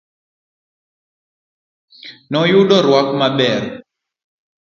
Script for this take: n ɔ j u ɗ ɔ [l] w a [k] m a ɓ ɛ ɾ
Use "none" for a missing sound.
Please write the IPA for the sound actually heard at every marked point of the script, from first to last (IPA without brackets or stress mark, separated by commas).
ɾ, k